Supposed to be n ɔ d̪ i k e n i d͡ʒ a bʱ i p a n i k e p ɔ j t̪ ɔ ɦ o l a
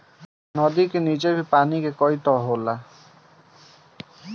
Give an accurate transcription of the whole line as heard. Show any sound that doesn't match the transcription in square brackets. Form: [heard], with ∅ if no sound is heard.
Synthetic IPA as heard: n ɔ d̪ i k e n i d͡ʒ [e] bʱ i p a n i k e [k] ɔ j t̪ ɔ ɦ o l a